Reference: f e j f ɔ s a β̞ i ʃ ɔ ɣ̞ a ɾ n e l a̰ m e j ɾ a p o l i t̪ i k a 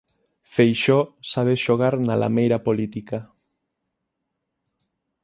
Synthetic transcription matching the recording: f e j ʃ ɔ s a β̞ e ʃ o ɣ̞ a ɾ n a l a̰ m e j ɾ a p o l i t̪ i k a